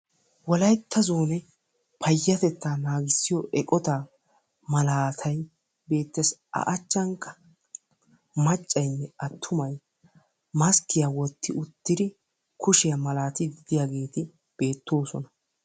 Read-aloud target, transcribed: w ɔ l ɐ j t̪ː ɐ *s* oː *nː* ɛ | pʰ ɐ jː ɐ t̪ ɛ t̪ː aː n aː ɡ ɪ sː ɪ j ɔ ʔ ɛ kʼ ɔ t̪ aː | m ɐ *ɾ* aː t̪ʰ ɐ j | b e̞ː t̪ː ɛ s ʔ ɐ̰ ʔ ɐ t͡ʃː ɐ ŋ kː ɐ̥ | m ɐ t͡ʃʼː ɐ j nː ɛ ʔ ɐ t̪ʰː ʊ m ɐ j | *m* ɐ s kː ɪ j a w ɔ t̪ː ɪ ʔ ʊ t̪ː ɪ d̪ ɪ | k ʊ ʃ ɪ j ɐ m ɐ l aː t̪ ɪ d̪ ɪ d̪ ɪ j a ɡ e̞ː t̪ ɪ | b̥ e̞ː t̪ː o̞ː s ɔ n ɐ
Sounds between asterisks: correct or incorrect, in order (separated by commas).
incorrect, incorrect, incorrect, correct